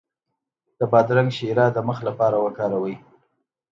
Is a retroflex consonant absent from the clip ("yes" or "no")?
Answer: yes